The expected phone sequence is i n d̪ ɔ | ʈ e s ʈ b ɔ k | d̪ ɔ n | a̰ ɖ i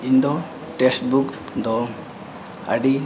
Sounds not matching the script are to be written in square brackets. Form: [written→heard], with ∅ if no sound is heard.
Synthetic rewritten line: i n d̪ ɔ | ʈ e s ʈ b [ɔ→u] k | d̪ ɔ [n→∅] | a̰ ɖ i